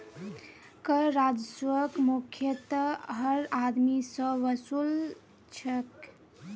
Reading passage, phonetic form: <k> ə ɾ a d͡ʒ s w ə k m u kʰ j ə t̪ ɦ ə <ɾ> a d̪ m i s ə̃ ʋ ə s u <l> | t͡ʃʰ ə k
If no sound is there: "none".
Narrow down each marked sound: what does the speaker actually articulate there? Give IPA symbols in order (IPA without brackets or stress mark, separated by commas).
k, ɾ, l